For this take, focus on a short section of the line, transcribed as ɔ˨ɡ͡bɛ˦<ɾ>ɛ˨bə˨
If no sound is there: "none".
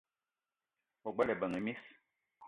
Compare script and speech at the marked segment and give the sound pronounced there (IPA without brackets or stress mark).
l